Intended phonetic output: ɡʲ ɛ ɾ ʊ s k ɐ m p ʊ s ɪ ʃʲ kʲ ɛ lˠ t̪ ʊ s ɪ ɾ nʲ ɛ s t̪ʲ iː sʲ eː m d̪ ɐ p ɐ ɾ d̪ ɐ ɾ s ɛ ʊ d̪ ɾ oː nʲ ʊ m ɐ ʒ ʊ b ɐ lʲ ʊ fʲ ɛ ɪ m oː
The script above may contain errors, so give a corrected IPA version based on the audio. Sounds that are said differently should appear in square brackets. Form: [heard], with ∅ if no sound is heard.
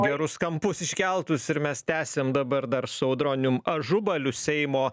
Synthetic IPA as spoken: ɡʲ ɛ ɾ ʊ s k ɐ m p ʊ s ɪ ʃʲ kʲ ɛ lˠ t̪ ʊ s ɪ ɾ [mʲ] ɛ s t̪ʲ [æː] sʲ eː m d̪ ɐ [b] ɐ ɾ d̪ ɐ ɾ s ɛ ʊ d̪ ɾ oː nʲ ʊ m ɐ ʒ ʊ b ɐ lʲ ʊ [sʲ] ɛ ɪ m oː